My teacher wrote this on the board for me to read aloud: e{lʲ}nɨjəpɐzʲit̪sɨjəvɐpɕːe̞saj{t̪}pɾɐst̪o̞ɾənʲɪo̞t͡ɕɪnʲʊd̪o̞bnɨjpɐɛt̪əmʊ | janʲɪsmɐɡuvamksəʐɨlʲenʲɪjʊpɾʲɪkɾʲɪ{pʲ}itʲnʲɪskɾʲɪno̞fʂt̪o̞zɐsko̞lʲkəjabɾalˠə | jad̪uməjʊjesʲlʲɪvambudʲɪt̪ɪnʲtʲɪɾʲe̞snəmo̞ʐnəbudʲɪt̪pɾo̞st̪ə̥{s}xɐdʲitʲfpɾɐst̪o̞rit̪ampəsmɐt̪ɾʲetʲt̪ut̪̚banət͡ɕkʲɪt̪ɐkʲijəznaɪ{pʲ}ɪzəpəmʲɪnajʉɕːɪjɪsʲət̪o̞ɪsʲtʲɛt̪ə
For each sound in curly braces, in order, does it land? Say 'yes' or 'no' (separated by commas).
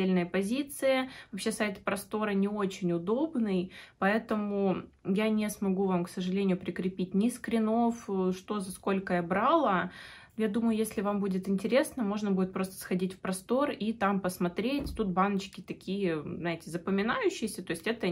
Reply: yes, yes, yes, yes, no